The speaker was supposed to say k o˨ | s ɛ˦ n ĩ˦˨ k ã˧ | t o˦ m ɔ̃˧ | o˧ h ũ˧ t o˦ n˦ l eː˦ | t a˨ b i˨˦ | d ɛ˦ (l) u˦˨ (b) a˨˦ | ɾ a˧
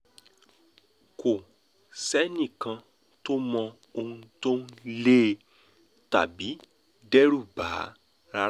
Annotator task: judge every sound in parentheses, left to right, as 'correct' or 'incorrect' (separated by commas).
incorrect, correct